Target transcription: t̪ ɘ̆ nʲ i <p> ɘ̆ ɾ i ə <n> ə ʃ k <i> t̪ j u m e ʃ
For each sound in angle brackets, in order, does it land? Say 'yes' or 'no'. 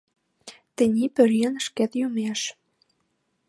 yes, yes, no

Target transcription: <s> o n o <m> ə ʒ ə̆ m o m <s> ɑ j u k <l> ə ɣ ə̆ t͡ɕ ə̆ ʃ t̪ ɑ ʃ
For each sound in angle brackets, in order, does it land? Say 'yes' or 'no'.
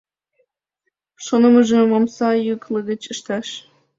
no, yes, yes, yes

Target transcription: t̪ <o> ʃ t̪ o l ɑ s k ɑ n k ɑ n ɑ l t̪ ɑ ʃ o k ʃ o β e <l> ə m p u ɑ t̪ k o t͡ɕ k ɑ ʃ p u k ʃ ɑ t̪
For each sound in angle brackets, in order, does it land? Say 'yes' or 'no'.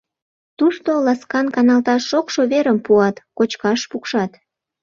no, no

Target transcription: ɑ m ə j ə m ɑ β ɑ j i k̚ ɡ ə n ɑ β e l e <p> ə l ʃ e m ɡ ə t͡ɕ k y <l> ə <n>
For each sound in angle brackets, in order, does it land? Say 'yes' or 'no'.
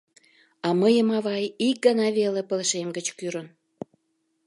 yes, no, yes

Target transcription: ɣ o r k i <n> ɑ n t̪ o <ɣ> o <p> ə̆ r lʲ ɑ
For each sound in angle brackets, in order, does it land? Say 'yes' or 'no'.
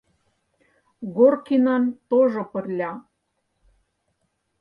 yes, no, yes

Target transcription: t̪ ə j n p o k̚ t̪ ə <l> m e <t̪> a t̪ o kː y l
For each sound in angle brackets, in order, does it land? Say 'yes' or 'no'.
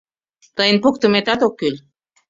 no, yes

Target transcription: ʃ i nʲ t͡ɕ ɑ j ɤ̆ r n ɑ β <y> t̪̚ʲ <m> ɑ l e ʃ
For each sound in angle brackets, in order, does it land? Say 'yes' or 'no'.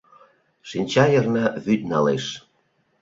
yes, no

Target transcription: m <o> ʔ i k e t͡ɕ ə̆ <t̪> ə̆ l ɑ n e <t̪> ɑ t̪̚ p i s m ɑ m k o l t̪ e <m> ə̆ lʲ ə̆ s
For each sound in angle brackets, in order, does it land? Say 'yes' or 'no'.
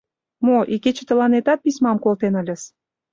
yes, yes, yes, no

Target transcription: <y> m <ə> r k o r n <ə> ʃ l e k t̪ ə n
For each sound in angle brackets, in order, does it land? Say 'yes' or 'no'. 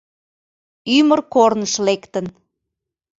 yes, yes, yes

